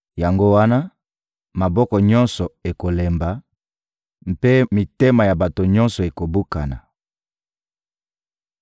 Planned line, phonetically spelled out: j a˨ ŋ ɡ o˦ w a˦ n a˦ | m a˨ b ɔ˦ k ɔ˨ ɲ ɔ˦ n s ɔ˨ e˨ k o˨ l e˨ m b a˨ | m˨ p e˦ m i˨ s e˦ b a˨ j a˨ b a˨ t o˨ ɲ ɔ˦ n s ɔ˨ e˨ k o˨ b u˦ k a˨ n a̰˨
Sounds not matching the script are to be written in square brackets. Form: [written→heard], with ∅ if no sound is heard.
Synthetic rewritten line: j a˨ ŋ ɡ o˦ w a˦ n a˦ | m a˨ b ɔ˦ k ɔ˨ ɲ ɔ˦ n s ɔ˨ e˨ k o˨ l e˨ m b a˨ | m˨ p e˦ m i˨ [s→t] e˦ [b→m] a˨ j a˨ b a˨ t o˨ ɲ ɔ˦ n s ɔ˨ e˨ k o˨ b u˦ k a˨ n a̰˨